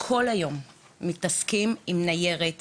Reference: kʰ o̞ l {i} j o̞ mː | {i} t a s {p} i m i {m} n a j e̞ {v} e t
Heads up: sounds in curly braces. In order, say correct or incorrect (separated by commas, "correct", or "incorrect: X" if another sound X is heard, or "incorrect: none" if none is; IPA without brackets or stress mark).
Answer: incorrect: a, correct, incorrect: k, correct, incorrect: ʁ